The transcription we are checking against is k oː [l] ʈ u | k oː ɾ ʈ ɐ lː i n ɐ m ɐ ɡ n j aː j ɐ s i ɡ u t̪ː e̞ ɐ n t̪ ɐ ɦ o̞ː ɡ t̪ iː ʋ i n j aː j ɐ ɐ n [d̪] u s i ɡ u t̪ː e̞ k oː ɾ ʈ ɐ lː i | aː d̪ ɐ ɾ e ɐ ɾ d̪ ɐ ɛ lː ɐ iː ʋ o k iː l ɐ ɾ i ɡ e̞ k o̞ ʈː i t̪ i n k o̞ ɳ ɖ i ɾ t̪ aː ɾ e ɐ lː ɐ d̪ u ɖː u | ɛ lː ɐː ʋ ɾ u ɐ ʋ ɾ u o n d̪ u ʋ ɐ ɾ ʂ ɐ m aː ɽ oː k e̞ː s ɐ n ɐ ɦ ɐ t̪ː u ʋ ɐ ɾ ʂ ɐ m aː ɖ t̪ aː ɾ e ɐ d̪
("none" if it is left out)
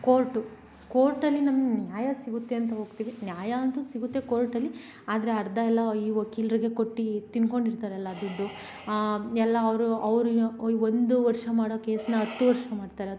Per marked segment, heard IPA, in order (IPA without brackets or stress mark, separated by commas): ɾ, t̪